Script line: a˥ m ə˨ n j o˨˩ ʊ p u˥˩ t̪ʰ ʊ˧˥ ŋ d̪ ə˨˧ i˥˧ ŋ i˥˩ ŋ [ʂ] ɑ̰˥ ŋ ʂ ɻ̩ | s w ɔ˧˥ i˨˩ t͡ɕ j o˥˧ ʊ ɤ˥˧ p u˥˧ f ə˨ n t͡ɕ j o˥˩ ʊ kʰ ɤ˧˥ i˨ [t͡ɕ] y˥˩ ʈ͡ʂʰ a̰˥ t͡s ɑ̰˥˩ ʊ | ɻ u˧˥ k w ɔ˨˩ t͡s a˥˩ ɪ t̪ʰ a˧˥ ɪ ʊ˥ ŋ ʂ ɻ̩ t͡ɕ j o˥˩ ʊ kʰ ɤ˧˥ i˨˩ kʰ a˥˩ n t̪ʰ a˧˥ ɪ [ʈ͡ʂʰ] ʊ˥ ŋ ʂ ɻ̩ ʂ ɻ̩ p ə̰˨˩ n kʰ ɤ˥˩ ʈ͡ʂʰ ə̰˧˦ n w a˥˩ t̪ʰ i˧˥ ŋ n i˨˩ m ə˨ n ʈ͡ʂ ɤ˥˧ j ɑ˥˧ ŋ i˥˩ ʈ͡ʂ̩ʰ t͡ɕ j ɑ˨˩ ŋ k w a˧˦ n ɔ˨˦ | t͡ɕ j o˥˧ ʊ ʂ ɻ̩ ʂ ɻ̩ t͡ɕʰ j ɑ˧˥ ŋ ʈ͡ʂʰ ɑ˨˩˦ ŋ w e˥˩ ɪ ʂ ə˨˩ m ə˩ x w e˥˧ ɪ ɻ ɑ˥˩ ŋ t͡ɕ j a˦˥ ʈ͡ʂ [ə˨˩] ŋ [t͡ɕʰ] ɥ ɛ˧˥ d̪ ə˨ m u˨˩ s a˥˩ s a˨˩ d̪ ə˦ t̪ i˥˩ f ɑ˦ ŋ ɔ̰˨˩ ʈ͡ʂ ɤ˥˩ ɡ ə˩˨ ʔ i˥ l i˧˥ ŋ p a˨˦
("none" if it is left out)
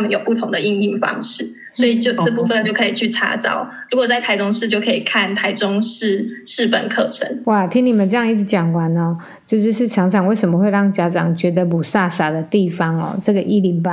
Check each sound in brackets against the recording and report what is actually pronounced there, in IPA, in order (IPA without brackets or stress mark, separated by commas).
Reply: f, t͡ɕʰ, ʈ͡ʂ, ɑ˨˩, t͡ɕ